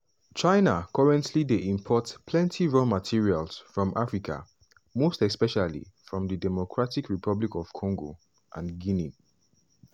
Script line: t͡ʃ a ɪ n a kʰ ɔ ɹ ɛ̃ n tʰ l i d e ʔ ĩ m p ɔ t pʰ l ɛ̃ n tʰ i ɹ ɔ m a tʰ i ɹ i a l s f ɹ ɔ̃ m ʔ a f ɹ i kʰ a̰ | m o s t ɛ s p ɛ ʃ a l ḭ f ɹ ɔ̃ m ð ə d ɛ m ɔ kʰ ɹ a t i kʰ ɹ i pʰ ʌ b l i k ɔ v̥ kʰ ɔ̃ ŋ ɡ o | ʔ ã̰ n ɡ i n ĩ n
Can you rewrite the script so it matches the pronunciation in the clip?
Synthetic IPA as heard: t͡ʃ a ɪ n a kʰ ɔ ɹ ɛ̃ n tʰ l i d e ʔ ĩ m pʰ ɔ t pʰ l ɛ̃ n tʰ i ɹ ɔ m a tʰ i ɹ i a l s f ɹ ɔ̃ m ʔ a f ɹ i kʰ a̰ | m o s t ɛ s p ɛ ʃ a l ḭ f ɹ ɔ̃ m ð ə d ɛ m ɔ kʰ ɹ a t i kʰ ɹ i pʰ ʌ b l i k ɔ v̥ kʰ ɔ̃ ŋ ɡ o | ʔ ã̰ n ɡ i n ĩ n